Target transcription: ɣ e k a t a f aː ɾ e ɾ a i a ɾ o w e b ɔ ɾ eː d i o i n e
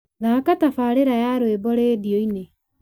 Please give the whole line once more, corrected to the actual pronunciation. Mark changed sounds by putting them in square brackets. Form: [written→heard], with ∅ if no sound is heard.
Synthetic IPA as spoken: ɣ [e→a] k a t a f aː ɾ e ɾ a [i→j] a ɾ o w e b ɔ ɾ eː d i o i n e